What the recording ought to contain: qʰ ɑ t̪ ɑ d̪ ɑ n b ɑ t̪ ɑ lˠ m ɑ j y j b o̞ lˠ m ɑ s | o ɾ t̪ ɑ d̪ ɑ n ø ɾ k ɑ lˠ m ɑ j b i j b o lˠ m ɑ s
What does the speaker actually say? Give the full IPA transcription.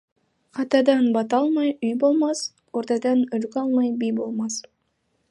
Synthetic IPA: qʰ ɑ t̪ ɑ d̪ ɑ n b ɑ t̪ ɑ lˠ m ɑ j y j b o̞ lˠ m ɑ s | o ɾ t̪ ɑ d̪ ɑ n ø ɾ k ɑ lˠ m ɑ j b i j b o lˠ m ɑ s